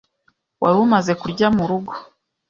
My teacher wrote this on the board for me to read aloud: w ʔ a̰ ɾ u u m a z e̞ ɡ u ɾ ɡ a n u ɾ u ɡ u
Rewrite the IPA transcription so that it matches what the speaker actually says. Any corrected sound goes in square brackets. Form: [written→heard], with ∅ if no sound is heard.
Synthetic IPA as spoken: w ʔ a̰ ɾ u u m a z e̞ [ɡ→k] u ɾ [ɡ→ɟ] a [n→m] u ɾ u ɡ [u→o]